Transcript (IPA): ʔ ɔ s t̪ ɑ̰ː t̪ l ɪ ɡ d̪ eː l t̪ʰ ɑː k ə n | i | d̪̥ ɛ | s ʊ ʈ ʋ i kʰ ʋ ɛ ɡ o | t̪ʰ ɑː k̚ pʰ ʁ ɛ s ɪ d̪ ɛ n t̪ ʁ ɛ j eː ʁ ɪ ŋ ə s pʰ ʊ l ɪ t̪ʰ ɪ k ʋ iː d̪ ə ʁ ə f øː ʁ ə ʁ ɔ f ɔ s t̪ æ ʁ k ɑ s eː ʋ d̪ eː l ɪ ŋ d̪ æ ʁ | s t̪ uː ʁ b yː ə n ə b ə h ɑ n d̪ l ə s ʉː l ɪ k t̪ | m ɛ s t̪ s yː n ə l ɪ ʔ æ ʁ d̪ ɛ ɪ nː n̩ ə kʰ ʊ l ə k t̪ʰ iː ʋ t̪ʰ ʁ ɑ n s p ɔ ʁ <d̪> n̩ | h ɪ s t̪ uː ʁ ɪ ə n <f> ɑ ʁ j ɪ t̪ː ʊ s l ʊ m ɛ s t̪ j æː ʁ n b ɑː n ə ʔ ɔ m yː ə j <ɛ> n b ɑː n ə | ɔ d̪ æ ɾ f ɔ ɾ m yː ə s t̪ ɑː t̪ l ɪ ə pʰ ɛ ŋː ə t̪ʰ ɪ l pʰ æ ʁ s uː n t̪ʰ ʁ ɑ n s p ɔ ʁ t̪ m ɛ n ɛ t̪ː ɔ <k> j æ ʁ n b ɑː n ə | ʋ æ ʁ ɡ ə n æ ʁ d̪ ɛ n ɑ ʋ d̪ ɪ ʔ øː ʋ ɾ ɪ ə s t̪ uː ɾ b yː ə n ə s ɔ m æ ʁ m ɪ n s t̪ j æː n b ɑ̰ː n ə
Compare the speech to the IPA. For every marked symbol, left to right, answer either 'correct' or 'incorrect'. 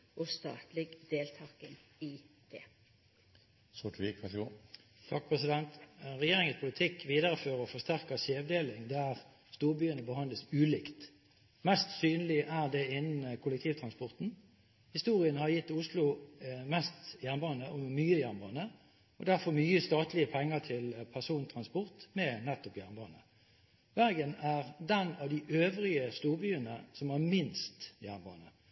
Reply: incorrect: t̪, incorrect: h, incorrect: æ, incorrect: p

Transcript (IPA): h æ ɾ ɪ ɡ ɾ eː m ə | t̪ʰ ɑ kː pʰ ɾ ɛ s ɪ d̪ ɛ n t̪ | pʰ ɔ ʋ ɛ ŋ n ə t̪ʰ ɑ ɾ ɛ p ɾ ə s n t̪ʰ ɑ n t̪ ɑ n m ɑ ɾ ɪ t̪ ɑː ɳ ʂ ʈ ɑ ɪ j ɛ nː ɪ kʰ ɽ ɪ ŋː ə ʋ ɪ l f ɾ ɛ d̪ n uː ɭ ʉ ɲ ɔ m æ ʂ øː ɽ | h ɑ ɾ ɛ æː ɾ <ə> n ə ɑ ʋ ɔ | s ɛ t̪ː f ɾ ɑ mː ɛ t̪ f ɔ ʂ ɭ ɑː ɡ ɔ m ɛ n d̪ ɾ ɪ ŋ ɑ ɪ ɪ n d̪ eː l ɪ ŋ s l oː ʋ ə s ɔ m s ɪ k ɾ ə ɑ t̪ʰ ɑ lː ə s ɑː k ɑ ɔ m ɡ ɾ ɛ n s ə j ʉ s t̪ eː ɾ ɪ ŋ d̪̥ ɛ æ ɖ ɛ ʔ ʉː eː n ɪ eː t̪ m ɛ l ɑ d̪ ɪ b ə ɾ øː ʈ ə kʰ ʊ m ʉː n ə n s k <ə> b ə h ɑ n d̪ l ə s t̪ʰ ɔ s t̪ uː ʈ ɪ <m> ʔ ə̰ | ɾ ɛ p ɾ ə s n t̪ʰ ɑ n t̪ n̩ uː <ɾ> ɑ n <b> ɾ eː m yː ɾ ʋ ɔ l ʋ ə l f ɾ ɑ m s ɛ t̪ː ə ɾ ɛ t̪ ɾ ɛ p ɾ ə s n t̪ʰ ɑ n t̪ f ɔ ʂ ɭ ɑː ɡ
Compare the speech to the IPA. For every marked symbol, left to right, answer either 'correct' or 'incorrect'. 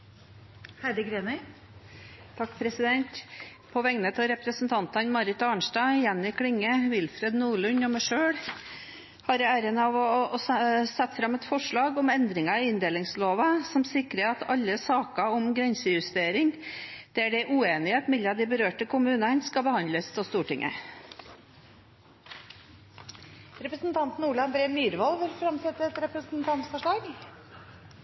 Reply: correct, incorrect: ɑ, incorrect: ŋ, incorrect: ɭ, correct

